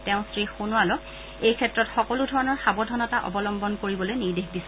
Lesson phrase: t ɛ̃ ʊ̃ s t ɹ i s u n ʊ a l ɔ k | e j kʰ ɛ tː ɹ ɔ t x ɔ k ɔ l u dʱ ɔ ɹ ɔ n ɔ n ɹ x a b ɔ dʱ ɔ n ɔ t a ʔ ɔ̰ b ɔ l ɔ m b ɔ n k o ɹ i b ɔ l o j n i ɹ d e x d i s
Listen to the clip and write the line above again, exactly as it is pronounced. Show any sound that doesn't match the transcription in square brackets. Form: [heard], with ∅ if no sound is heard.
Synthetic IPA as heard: t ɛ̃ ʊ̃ s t ɹ i [x] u n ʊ a l ɔ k | e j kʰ ɛ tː ɹ ɔ t x ɔ k ɔ l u dʱ ɔ ɹ ɔ n ɔ [∅] ɹ x a b ɔ dʱ ɔ n ɔ t a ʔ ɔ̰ b ɔ l ɔ m b ɔ n k o ɹ i b ɔ l o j n i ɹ d e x d i s

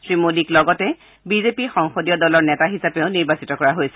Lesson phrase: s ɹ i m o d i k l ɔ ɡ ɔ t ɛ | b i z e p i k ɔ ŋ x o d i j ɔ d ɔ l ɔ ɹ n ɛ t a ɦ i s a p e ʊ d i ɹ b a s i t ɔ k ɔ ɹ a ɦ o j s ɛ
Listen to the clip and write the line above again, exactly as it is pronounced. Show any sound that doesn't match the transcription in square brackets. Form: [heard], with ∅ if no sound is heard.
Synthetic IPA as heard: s ɹ i m o d i k l ɔ ɡ ɔ t ɛ | b i z e p i [x] ɔ ŋ x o d i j ɔ d ɔ l ɔ ɹ n ɛ t a ɦ i s a p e ʊ [n] i ɹ b a s i t ɔ k ɔ ɹ a ɦ o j s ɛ

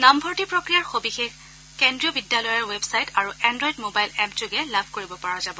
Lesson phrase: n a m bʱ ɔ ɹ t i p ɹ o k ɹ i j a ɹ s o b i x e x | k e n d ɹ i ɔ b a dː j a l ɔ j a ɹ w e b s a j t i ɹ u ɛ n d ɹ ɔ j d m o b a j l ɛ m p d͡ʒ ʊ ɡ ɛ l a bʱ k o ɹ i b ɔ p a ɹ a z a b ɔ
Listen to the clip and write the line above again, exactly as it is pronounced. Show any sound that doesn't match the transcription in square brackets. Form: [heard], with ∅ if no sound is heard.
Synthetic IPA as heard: n a m bʱ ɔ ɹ t i p ɹ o k ɹ i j a ɹ [x] o b i x e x | k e n d ɹ i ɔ b [i] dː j a l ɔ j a ɹ w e b s a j t [a] ɹ u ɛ n d ɹ ɔ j d m o b a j l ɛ m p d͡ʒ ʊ ɡ ɛ l a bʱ k o ɹ i b ɔ p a ɹ a z a b ɔ

